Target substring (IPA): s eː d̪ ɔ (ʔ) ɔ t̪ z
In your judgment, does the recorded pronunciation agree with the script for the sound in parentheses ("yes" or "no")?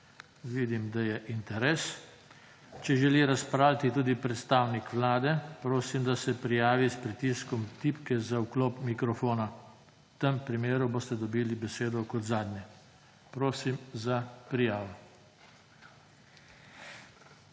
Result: no